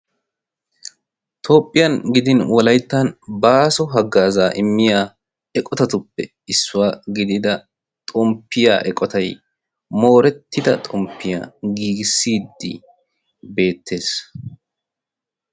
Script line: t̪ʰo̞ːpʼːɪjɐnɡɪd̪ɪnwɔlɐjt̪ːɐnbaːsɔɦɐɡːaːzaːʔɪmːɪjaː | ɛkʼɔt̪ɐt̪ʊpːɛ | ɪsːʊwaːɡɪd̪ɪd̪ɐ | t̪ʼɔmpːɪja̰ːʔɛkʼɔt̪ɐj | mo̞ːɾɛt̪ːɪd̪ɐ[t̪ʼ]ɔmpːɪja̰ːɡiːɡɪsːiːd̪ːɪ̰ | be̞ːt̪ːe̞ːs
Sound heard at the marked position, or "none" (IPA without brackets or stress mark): t̪ʼ